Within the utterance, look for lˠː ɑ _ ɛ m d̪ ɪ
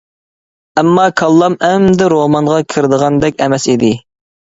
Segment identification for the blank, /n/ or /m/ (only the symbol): m